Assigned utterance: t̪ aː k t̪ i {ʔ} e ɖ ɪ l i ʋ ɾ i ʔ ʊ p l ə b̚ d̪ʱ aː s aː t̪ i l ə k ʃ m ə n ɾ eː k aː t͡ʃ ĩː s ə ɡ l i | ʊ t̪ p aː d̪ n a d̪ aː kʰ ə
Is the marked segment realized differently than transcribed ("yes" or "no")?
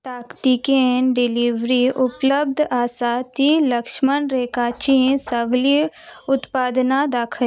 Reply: yes